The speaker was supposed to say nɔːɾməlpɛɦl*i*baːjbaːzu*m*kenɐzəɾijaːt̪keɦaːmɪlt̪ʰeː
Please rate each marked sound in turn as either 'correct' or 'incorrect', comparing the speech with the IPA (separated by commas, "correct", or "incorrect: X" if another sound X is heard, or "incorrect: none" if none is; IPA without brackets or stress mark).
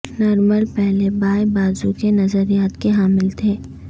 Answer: incorrect: e, incorrect: none